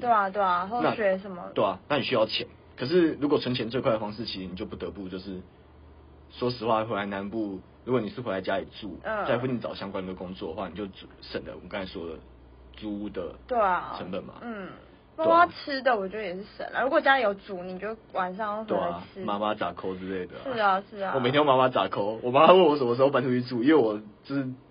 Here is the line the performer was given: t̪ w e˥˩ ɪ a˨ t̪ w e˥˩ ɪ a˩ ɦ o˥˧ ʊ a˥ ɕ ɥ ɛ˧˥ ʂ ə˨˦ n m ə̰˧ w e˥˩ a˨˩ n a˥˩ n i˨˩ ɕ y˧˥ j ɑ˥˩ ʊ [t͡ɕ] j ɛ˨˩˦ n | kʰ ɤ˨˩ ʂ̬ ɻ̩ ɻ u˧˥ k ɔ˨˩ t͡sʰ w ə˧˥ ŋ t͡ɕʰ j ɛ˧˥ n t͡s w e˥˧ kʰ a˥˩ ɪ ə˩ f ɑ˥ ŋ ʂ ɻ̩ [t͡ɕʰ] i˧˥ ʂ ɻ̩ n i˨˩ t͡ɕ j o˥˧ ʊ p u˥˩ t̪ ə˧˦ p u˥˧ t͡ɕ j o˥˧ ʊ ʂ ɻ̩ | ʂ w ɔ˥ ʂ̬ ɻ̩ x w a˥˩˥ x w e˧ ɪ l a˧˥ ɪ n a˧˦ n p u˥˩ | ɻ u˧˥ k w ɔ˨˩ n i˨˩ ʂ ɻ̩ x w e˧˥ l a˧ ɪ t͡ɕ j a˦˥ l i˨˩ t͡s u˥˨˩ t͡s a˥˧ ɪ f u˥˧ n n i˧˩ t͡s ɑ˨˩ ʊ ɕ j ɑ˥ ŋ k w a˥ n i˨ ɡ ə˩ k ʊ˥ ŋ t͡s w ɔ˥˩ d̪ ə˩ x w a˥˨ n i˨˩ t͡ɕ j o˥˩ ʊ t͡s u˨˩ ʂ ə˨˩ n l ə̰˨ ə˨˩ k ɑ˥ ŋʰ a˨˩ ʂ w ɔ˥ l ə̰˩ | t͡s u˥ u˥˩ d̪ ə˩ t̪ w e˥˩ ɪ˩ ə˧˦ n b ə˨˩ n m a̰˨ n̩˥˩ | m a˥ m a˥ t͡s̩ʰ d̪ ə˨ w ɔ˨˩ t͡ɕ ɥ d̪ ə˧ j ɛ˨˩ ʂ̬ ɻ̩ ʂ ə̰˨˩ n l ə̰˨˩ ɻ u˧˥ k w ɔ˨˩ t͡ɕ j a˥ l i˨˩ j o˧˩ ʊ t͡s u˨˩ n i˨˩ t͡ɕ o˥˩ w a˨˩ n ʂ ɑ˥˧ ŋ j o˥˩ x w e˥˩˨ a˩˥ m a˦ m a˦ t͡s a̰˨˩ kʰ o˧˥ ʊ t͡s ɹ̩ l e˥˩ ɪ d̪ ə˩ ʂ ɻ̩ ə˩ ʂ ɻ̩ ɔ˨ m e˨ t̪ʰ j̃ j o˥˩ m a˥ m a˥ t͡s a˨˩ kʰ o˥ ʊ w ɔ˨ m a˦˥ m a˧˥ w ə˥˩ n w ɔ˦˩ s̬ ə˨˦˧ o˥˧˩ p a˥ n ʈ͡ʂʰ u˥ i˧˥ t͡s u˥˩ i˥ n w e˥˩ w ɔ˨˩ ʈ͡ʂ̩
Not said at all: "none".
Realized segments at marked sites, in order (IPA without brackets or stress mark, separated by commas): t͡ɕʰ, t͡ɕʰ